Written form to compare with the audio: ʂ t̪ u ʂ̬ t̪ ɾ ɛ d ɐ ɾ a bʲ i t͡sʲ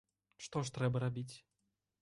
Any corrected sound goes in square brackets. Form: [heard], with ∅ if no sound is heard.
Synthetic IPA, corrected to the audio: ʂ t̪ [ɔ] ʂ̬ t̪ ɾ ɛ [b] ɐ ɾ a bʲ i t͡sʲ